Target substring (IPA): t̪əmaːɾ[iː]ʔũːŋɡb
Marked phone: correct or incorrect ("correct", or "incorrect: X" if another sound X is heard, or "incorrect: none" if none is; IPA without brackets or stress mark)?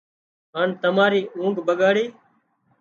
correct